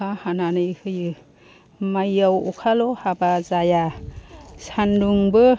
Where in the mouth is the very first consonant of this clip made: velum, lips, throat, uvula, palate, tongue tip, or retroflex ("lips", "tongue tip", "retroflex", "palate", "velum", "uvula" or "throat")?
throat